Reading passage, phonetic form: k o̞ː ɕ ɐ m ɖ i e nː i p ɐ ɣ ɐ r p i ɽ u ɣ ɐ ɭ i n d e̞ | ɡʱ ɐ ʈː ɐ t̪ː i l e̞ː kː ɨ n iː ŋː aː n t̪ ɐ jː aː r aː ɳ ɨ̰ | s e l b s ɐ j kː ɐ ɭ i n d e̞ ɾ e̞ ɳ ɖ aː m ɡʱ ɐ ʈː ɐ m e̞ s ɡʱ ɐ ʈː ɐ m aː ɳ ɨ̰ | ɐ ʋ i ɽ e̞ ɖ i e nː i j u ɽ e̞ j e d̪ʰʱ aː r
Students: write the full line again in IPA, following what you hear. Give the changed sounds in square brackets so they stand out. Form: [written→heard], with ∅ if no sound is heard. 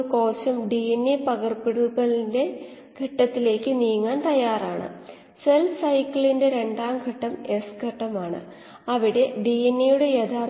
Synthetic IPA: k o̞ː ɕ ɐ m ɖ i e nː i p ɐ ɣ ɐ r p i ɽ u ɣ ɐ ɭ i n d e̞ | ɡʱ ɐ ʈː ɐ t̪ː i l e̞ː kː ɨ n iː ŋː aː n t̪ ɐ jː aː r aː ɳ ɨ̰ | s e l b s ɐ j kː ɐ ɭ i n d e̞ ɾ e̞ ɳ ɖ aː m ɡʱ ɐ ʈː ɐ m e̞ s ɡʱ ɐ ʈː ɐ m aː ɳ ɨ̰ | ɐ ʋ i ɽ e̞ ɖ i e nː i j u ɽ e̞ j e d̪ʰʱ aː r